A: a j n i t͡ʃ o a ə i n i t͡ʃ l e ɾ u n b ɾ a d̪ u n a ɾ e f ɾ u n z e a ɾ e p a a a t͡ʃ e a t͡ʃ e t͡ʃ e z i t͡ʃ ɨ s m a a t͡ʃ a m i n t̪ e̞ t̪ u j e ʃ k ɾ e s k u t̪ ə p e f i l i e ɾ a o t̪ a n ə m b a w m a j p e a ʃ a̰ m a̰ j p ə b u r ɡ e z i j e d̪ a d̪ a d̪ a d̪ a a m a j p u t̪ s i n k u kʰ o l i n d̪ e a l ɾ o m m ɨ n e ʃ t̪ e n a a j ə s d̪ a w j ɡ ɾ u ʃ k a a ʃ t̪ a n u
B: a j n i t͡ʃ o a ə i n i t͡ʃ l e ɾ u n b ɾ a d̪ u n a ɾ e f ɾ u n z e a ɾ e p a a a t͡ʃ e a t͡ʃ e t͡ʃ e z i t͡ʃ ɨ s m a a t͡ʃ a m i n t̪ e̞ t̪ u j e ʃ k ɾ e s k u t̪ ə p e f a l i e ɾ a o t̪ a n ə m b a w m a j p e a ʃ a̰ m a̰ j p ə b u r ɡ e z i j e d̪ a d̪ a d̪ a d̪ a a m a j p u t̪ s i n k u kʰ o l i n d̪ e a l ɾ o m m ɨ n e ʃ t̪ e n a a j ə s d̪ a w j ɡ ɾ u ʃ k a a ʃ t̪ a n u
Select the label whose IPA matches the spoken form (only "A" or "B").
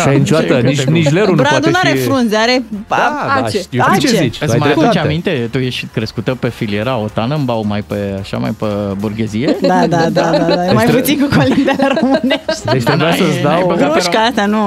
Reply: A